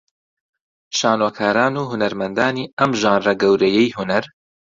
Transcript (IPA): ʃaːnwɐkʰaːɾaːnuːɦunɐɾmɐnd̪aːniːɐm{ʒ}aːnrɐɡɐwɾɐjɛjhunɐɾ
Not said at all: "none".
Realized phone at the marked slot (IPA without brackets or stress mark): ʒ